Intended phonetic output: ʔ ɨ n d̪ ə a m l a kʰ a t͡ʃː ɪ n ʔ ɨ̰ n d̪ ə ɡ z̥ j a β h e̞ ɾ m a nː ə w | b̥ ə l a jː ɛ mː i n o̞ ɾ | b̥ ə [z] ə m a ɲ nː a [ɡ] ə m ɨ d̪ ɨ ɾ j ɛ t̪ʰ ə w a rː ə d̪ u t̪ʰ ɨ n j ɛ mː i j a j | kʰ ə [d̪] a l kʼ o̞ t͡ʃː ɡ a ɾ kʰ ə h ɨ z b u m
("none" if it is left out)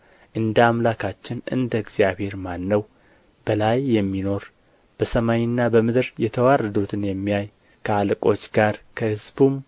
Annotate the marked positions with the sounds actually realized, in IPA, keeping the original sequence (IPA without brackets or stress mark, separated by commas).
s, b, none